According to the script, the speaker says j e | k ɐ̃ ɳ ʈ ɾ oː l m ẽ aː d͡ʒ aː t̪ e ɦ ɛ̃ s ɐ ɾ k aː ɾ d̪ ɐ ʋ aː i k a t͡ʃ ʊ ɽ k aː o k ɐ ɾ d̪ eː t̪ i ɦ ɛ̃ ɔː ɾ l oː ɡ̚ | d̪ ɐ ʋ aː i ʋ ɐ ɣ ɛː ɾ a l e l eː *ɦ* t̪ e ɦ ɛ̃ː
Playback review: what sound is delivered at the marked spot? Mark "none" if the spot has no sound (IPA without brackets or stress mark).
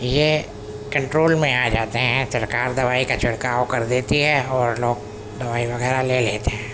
none